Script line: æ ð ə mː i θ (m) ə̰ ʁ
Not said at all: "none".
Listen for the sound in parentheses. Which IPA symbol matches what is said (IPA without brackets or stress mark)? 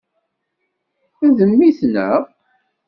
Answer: n